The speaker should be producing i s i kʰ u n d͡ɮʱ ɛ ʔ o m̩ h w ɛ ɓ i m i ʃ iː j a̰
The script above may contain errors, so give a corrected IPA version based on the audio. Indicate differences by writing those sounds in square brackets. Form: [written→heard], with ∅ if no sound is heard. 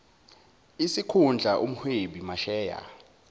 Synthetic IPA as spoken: i s i kʰ u n d͡ɮʱ [ɛ→a] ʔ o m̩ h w [ɛ→e] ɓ i m [i→a] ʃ [iː→ɛː] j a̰